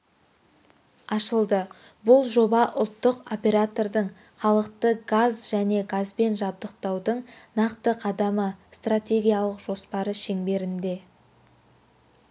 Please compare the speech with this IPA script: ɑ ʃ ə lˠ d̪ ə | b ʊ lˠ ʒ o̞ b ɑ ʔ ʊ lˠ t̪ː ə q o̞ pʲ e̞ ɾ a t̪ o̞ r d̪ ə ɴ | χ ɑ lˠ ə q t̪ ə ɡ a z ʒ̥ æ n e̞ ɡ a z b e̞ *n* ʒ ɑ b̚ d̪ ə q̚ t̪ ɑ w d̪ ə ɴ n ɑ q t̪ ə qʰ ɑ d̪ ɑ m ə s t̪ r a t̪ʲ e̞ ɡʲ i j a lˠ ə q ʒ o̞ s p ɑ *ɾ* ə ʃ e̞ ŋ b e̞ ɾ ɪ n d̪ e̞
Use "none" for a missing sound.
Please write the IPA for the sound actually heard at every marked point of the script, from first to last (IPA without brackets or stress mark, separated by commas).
n, ɾ